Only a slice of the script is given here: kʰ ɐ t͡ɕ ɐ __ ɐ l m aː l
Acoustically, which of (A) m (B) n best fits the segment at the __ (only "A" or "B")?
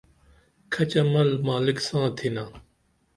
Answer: A